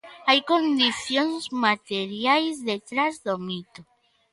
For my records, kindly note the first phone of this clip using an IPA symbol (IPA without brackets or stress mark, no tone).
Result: a